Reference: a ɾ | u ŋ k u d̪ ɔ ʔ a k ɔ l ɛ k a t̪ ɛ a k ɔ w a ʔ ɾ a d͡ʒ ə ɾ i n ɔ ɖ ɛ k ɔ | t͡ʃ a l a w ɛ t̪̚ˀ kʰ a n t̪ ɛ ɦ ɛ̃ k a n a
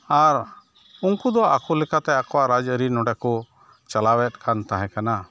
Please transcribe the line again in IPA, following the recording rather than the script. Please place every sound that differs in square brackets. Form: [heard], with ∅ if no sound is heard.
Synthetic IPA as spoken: a ɾ | u ŋ k u d̪ ɔ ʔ a k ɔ l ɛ k a t̪ ɛ a k ɔ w a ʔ ɾ a d͡ʒ ə ɾ i n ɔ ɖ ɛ k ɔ | t͡ʃ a l a w ɛ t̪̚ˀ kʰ a n t̪ [a] ɦ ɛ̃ k a n a